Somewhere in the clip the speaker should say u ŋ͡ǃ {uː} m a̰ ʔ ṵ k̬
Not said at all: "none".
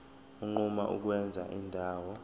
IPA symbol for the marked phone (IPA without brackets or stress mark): u